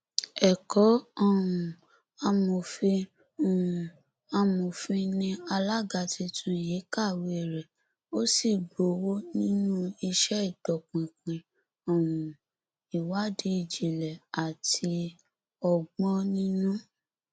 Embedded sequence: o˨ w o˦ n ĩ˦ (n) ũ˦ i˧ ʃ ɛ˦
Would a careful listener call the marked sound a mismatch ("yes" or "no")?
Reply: no